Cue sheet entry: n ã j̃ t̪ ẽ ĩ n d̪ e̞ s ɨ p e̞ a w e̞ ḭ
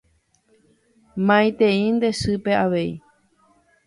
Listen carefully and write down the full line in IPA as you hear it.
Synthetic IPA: m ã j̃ t̪ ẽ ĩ n d̪ e̞ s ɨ p e̞ a ʋ e̞ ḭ